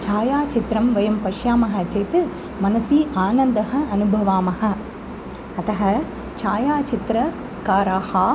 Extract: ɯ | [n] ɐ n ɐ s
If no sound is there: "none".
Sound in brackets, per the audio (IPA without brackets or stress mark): m